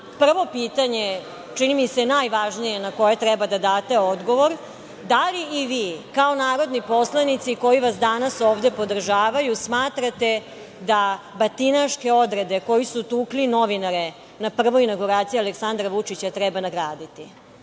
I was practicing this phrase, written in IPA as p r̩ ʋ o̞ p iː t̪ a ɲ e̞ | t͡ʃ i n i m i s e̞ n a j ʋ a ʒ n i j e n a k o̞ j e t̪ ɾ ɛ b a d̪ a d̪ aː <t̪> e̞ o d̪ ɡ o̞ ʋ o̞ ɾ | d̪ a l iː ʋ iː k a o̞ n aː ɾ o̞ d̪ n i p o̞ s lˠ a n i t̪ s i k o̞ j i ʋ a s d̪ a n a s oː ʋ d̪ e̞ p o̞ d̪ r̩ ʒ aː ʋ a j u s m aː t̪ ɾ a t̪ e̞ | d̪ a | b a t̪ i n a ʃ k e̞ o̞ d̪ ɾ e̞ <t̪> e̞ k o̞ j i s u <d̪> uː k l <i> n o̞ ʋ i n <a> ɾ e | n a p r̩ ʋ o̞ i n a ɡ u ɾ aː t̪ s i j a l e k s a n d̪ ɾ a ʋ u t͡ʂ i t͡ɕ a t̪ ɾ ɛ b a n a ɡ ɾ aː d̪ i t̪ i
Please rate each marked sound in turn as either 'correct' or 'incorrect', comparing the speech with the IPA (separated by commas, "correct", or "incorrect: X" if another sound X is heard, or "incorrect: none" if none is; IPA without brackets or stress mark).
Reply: correct, incorrect: d̪, incorrect: t̪, correct, correct